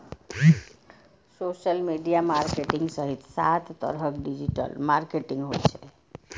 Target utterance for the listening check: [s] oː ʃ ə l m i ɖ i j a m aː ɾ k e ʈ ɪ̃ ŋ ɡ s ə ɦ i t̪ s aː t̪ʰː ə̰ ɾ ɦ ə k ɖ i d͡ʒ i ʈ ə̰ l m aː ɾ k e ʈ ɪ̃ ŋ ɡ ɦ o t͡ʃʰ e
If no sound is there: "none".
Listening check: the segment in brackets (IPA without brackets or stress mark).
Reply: s